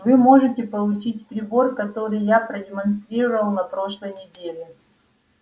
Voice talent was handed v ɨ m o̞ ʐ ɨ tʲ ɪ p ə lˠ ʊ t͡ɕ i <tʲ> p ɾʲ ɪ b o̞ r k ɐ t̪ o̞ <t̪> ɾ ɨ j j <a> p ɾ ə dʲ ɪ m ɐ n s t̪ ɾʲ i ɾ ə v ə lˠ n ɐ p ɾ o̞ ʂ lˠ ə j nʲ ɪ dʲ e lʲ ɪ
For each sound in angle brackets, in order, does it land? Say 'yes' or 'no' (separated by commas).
yes, no, yes